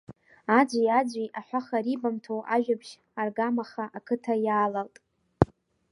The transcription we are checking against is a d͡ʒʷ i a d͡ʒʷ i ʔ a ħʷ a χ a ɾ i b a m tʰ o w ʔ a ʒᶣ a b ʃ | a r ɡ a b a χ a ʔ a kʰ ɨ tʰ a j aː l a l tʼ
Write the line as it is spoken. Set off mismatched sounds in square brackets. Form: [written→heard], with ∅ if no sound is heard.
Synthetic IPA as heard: a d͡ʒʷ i a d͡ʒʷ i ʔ a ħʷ a χ a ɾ i b a m tʰ o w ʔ a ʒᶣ a b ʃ | a r ɡ a [b→m] a χ a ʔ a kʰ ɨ tʰ a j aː l a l tʼ